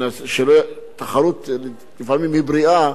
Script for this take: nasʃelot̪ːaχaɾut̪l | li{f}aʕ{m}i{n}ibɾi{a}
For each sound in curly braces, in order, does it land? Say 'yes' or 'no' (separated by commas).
yes, yes, no, yes